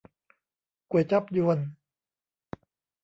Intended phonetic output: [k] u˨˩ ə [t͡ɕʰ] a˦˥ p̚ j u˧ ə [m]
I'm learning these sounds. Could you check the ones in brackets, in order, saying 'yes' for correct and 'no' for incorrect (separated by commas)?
yes, no, no